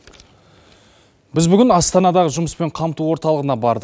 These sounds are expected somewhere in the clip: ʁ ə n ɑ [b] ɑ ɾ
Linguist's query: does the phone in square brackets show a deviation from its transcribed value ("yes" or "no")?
no